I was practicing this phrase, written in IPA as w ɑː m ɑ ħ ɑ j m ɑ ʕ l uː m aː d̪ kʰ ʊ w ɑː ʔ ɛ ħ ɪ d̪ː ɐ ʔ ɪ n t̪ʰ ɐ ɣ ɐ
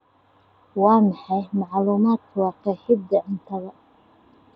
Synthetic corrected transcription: w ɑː m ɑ ħ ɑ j m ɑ ʕ l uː m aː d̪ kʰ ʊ w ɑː q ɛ ħ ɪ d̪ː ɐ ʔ ɪ n t̪ʰ ɐ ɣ ɐ